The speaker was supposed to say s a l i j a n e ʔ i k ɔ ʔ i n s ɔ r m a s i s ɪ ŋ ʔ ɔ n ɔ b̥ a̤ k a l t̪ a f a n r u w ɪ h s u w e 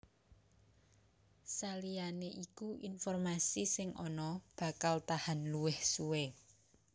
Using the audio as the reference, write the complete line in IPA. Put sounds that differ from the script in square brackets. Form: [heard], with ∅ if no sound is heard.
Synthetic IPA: s a l i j a n e ʔ i k [u] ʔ i n [f] ɔ r m a s i s ɪ ŋ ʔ ɔ n ɔ b̥ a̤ k a l t̪ a [h] a n [l] u w ɪ h s u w e